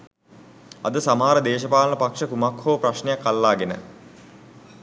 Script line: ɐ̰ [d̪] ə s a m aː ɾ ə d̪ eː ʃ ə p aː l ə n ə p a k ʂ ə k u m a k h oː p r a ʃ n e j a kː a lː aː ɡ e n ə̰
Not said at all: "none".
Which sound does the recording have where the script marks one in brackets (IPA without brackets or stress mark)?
d̪